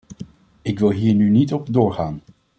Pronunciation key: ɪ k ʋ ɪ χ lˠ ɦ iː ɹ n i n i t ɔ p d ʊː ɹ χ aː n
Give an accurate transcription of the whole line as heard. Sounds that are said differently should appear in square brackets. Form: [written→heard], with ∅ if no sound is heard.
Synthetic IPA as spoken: ɪ k ʋ ɪ [χ→∅] lˠ ɦ iː ɹ n [i→y] n i t ɔ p d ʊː ɹ χ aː n